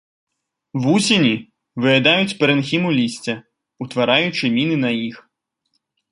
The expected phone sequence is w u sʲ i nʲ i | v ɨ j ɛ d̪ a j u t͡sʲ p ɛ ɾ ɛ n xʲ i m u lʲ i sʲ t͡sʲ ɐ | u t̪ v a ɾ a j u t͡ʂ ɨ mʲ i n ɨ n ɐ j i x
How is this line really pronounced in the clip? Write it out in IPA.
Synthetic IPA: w u sʲ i nʲ i | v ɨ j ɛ d̪ a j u t͡sʲ p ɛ ɾ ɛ n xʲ i m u lʲ i sʲ t͡sʲ ɐ | u t̪ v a ɾ a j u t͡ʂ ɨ mʲ i n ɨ n ɐ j i x